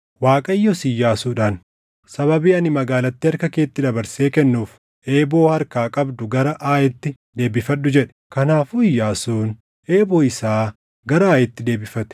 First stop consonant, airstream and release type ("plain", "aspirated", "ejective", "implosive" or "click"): ejective